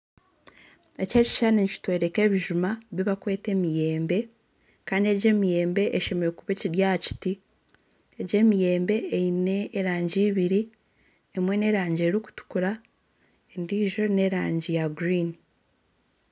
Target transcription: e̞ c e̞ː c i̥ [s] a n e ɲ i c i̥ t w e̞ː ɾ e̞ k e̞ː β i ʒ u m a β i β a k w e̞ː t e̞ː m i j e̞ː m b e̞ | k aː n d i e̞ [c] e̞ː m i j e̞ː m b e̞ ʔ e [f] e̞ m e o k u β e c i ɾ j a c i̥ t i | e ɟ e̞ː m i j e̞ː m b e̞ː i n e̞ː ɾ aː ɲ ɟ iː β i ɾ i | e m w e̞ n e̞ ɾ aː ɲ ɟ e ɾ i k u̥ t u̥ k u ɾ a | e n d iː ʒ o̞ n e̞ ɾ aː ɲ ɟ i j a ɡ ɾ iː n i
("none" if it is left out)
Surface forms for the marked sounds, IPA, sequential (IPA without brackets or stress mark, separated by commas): ʃ, ɟ, ʃ